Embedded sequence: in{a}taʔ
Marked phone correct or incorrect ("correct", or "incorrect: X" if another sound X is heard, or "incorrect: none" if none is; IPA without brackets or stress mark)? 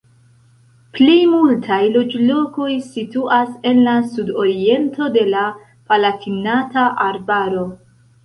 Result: correct